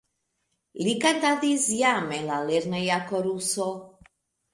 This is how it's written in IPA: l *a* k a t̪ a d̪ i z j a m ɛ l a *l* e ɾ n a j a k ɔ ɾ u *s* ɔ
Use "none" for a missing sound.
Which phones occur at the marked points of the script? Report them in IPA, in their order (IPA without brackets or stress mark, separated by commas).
i, l, s